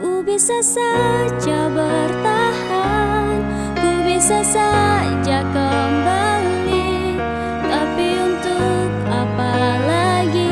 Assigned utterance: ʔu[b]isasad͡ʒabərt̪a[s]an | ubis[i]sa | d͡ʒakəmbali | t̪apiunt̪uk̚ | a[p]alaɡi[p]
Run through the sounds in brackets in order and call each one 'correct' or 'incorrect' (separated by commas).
correct, incorrect, incorrect, correct, incorrect